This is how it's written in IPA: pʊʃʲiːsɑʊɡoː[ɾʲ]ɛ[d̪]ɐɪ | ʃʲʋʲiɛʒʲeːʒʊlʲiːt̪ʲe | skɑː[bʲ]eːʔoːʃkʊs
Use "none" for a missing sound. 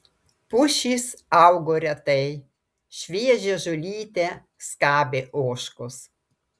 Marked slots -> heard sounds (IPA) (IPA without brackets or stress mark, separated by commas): ɾʲ, t̪, bʲ